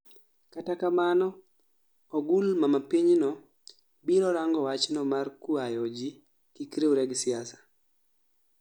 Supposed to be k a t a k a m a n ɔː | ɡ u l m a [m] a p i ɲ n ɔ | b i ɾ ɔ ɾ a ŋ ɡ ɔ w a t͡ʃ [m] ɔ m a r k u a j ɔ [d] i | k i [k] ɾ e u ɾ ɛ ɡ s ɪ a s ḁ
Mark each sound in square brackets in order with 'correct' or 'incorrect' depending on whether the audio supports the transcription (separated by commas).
correct, incorrect, incorrect, correct